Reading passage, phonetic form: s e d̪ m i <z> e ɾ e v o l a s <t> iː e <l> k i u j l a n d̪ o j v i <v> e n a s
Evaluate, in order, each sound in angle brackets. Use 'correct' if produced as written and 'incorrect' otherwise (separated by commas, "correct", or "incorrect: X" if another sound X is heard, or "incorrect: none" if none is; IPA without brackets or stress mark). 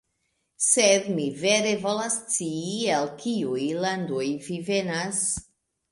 incorrect: v, incorrect: t͡s, correct, correct